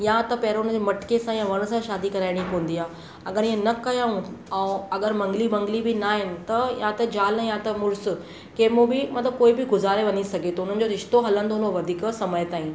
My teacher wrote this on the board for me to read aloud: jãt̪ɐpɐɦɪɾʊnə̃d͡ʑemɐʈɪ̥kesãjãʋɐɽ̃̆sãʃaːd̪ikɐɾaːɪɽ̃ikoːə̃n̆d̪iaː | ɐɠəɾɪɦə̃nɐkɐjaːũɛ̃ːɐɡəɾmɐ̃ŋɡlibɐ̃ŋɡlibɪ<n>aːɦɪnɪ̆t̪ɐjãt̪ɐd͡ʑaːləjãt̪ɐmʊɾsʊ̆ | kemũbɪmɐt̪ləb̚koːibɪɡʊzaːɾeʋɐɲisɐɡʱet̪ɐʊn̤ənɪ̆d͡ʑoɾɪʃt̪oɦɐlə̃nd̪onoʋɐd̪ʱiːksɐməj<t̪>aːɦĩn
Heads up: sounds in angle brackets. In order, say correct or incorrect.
correct, correct

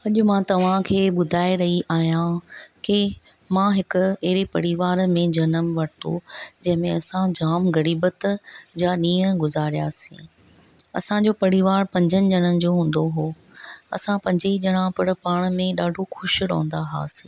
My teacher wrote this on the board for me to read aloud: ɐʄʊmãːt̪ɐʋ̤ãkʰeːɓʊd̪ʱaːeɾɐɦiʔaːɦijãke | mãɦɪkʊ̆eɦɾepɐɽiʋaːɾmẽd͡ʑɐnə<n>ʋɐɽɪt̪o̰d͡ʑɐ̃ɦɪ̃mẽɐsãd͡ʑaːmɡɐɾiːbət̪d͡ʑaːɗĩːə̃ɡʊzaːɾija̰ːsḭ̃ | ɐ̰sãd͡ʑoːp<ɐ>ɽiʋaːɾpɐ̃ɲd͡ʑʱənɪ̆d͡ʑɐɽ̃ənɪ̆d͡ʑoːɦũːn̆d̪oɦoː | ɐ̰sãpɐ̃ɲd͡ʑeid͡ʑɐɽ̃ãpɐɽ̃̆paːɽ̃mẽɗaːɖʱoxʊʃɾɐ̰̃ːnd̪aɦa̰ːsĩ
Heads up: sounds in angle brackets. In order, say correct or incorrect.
incorrect, correct

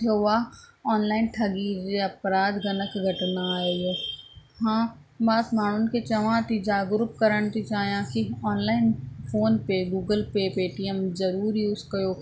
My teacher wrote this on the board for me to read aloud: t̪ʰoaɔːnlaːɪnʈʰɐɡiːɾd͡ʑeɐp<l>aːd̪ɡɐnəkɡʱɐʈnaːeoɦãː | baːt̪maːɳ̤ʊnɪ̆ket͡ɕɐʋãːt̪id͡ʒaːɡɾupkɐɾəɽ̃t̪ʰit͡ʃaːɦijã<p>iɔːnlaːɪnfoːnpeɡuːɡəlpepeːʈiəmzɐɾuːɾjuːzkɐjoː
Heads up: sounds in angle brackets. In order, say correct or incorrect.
incorrect, incorrect

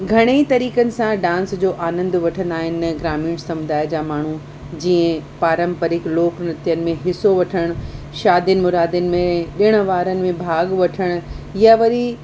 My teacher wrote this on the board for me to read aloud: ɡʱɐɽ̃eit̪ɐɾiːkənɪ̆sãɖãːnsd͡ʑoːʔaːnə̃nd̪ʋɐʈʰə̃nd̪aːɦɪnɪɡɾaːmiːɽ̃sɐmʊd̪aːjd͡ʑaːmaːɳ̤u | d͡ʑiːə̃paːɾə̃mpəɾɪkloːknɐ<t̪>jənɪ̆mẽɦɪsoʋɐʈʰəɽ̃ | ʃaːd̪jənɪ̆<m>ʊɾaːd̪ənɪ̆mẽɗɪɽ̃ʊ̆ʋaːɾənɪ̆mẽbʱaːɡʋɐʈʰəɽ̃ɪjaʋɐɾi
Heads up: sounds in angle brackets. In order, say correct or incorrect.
correct, correct

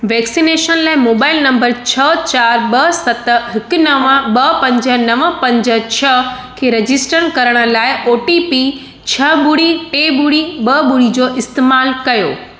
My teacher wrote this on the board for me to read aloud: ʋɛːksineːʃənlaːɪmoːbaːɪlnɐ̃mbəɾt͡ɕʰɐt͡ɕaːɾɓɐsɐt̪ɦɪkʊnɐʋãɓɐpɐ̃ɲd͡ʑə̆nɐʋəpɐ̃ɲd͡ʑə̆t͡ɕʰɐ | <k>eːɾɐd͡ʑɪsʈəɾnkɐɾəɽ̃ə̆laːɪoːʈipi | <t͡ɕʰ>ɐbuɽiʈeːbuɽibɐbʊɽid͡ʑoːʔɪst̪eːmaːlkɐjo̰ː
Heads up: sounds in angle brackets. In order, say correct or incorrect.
incorrect, correct

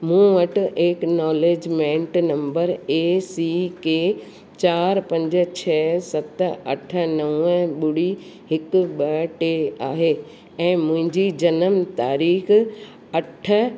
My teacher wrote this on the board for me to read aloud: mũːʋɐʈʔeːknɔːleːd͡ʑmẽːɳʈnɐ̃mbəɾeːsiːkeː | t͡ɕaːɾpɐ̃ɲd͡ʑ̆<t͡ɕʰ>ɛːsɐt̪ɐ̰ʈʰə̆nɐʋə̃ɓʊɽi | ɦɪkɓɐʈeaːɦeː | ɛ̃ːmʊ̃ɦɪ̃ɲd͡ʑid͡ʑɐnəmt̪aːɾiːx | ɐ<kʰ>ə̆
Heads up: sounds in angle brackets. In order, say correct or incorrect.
correct, incorrect

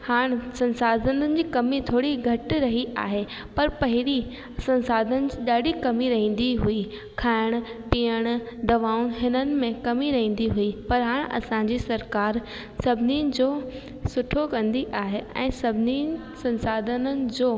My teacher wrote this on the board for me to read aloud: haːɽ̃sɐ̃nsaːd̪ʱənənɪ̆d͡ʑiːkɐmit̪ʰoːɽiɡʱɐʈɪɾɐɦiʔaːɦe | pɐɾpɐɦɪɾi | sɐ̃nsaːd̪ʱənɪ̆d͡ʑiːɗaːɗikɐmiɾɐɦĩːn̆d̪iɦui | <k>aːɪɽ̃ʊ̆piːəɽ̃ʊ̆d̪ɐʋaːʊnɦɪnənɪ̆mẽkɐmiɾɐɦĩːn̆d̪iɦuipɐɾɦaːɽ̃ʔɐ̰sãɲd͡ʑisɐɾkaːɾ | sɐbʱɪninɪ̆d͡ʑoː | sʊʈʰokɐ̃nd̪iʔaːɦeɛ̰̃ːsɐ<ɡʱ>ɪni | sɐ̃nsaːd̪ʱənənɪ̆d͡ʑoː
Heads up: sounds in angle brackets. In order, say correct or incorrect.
incorrect, incorrect

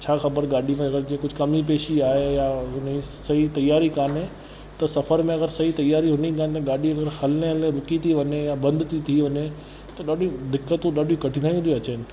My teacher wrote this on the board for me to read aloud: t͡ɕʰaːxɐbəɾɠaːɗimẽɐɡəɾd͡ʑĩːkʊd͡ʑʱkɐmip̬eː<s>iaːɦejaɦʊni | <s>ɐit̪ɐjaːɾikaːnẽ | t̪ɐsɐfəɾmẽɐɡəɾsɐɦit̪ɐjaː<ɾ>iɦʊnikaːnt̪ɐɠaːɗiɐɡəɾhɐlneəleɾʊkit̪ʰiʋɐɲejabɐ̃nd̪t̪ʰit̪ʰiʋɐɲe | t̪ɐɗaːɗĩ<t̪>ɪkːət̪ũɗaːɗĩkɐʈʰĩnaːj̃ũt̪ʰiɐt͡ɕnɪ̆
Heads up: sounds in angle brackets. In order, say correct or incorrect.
incorrect, correct, correct, incorrect

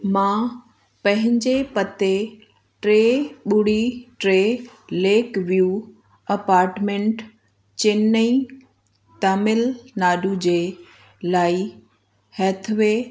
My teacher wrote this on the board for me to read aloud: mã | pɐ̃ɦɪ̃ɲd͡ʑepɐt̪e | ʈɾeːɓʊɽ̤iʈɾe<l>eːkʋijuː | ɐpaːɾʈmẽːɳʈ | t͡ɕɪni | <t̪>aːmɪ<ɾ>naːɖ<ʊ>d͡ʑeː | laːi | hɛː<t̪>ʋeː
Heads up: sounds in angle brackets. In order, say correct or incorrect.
correct, correct, incorrect, incorrect, incorrect

